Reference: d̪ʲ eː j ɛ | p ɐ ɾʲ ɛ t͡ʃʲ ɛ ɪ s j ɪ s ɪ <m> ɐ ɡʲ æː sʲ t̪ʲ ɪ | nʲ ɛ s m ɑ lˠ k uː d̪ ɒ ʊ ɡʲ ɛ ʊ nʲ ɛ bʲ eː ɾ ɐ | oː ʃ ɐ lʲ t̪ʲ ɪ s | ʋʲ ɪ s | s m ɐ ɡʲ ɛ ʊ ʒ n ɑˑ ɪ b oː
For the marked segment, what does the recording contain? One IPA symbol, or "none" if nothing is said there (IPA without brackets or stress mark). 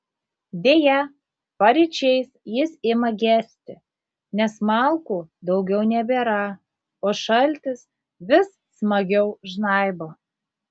m